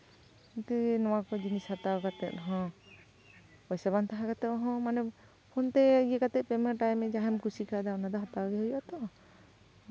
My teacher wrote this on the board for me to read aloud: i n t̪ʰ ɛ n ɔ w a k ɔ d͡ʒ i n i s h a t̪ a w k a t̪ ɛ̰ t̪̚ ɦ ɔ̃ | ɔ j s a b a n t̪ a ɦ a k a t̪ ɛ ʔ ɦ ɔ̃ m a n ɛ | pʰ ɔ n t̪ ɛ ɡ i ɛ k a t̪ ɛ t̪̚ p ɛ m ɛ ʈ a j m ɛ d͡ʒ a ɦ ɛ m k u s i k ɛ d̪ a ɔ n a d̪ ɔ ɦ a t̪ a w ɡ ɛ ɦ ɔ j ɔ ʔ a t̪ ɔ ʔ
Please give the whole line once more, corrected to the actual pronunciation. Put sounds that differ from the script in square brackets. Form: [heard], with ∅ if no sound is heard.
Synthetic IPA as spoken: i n [t̪] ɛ n ɔ w a k ɔ d͡ʒ i n i s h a t̪ a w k a t̪ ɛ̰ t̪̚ ɦ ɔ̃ | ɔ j s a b a n t̪ a ɦ a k a t̪ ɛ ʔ ɦ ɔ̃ m a n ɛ | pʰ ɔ n t̪ ɛ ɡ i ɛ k a t̪ ɛ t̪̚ p ɛ m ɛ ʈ a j m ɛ d͡ʒ a ɦ ɛ m k u s i k [a] d̪ a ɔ n a d̪ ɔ ɦ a t̪ a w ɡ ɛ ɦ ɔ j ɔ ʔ a t̪ ɔ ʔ